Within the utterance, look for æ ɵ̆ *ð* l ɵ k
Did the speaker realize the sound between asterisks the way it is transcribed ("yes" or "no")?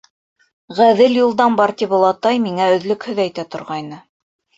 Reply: yes